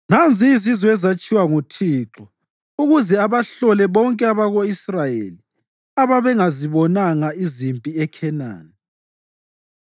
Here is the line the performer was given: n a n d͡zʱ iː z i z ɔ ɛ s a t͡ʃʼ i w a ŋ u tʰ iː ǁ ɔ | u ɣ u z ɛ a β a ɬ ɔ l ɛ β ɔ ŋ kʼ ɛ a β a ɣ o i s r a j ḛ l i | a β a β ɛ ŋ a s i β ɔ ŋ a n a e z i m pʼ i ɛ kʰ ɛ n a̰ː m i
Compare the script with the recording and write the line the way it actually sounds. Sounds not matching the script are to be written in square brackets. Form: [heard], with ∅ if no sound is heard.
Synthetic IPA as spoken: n a n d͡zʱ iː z i z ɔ ɛ [z] a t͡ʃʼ i w a ŋ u tʰ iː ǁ ɔ | u ɣ u z ɛ a β a ɬ ɔ l ɛ β ɔ ŋ kʼ ɛ a β a ɣ o i s r a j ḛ l i | a β a β ɛ ŋ a [z] i β ɔ [n] a [ŋ] a [i] z i m pʼ i ɛ kʰ ɛ n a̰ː [n] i

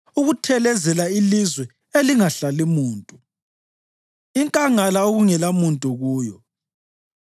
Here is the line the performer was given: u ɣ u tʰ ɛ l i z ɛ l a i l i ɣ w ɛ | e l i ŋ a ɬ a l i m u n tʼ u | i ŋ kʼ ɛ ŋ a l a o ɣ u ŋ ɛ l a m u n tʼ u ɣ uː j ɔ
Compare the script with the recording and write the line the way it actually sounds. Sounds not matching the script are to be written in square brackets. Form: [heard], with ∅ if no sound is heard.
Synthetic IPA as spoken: u ɣ u tʰ ɛ l [ɛ] z ɛ l a i l i [z] w ɛ | e l i ŋ a ɬ a l i m [uː] n tʼ u | i ŋ kʼ [a] ŋ a l a o ɣ u ŋ ɛ l a m u n tʼ u ɣ uː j ɔ

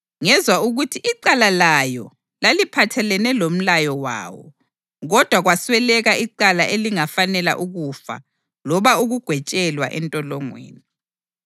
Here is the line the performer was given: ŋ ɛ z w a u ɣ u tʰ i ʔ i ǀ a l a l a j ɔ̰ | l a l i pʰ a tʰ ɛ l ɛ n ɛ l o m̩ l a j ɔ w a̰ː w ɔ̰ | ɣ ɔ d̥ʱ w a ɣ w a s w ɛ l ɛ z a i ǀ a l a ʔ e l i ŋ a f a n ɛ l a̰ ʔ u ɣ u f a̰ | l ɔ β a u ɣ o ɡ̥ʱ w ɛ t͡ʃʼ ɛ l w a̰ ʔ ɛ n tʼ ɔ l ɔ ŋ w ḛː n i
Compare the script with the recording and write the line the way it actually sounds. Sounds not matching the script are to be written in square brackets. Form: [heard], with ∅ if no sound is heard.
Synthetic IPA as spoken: ŋ ɛ z w a u ɣ u tʰ i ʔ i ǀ a l a l a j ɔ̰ | l a l i pʰ a tʰ ɛ l ɛ n ɛ l o m̩ l a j ɔ w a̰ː w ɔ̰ | ɣ ɔ d̥ʱ w a ɣ w a s w ɛ l ɛ [ɣ] a i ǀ a l a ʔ e l i ŋ a f a n ɛ l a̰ ʔ u ɣ u f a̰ | l ɔ β a u ɣ [u] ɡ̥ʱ w ɛ t͡ʃʼ ɛ l w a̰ ʔ ɛ n tʼ ɔ l ɔ ŋ w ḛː n i

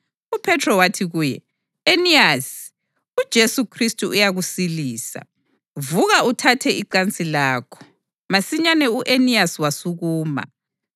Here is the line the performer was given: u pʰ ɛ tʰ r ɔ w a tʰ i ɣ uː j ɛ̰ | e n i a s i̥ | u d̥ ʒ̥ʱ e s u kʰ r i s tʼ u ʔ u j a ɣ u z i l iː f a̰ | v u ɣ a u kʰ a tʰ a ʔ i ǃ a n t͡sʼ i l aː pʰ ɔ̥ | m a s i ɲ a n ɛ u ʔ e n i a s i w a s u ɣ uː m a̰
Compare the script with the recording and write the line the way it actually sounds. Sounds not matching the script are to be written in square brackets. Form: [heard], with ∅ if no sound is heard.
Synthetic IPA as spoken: u pʰ ɛ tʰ r ɔ w a tʰ i ɣ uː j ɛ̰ | e n i a s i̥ | u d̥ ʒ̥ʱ e s u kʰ r i s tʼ u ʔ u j a ɣ u [s] i l iː [s] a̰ | v u ɣ a u [tʰ] a tʰ [ɛ] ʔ i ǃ a n t͡sʼ i l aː [kʰ] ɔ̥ | m a s i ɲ a n ɛ u ʔ e n i a s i w a s u ɣ uː m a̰

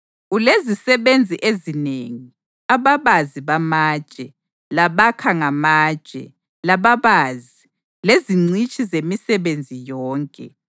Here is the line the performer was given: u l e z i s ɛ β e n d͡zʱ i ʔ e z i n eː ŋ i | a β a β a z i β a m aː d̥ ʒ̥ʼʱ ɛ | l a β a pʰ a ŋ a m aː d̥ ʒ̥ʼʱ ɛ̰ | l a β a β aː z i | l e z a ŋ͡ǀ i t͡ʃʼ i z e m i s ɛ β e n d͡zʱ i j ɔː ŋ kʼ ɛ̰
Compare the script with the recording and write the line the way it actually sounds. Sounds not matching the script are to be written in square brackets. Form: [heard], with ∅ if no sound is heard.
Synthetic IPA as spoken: u l e z i s ɛ β e n d͡zʱ i ʔ e z i n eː ŋ i | a β a β a z i β a m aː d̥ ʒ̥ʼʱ ɛ | l a β a [kʰ] a ŋ a m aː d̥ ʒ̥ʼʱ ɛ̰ | l a β a β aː z i | l e z [i] ŋ͡ǀ i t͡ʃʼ i z e m i s ɛ β e n d͡zʱ i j ɔː ŋ kʼ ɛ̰

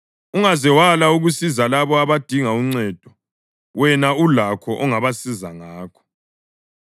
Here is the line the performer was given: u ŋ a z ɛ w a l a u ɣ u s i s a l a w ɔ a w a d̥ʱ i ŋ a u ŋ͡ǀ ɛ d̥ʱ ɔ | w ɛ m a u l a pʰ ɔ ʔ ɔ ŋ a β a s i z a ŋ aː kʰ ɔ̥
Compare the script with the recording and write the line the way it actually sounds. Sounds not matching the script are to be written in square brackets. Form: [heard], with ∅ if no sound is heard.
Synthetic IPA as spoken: u ŋ a z ɛ w a l a u ɣ u s i [z] a l a [β] ɔ a [β] a d̥ʱ i ŋ a u ŋ͡ǀ ɛ d̥ʱ ɔ | w ɛ [n] a u l a [kʰ] ɔ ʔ ɔ ŋ a β a s i z a ŋ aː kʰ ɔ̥

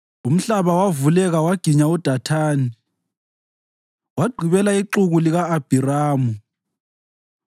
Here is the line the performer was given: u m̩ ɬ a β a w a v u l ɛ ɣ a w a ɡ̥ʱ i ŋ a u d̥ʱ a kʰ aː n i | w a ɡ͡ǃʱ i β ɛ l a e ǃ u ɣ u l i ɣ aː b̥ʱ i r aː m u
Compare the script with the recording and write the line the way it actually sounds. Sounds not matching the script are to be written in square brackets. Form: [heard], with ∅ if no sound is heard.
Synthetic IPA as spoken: u m̩ ɬ a β a w a v u l ɛ ɣ a w a ɡ̥ʱ i [ɲ] a u d̥ʱ a [tʰ] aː n i | w a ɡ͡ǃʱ i β ɛ l a [i] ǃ u ɣ u l i ɣ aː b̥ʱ i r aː m u

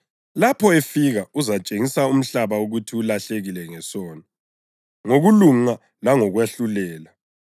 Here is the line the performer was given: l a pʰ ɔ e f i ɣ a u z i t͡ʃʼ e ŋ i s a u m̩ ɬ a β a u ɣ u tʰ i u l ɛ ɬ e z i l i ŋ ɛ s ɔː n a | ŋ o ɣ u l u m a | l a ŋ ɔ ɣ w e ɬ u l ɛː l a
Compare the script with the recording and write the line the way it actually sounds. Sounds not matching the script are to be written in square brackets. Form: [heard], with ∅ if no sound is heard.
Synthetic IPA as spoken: l a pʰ ɔ e f i ɣ a u z [a] t͡ʃʼ e ŋ i s a u m̩ ɬ a β a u ɣ u tʰ i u l [a] ɬ e [ɣ] i l [ɛ] ŋ ɛ s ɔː n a | ŋ o ɣ u l u [ŋ] a | l a ŋ ɔ ɣ w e ɬ u l ɛː l a

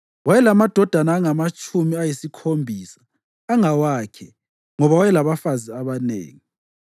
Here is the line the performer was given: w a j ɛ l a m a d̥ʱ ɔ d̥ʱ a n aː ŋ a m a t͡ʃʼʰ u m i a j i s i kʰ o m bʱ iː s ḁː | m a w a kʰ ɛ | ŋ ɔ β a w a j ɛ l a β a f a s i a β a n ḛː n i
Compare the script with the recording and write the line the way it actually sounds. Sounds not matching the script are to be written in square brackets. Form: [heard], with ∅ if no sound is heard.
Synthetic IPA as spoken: w a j ɛ l a m a d̥ʱ ɔ d̥ʱ a n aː ŋ a m a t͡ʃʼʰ u m i a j i s i kʰ o m bʱ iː s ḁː | [ŋ] a w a kʰ ɛ | ŋ ɔ β a w a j ɛ l a β a f a [z] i a β a n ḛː [ŋ] i

